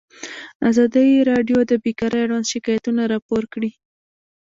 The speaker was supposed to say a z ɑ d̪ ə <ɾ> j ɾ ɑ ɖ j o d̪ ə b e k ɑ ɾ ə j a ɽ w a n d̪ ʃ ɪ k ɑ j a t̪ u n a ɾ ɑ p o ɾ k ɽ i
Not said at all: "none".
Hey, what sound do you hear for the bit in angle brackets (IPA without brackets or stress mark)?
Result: none